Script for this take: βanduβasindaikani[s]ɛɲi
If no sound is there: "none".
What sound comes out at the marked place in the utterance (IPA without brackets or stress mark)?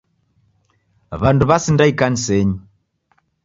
s